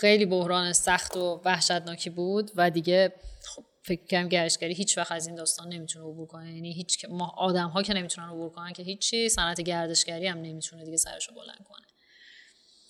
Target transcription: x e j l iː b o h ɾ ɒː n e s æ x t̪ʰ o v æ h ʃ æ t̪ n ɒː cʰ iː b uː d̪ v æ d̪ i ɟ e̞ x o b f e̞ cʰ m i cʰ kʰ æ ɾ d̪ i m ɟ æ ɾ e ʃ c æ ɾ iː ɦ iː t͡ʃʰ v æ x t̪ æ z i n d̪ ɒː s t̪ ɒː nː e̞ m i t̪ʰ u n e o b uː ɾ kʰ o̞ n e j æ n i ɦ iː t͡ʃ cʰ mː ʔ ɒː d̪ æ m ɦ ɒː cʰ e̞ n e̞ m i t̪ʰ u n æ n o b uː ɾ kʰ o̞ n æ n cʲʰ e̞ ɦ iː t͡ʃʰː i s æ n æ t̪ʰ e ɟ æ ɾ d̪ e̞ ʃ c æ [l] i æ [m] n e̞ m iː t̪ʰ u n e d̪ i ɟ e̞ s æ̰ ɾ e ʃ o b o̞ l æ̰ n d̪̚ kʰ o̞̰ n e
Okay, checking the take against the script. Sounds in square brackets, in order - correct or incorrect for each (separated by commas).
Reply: incorrect, correct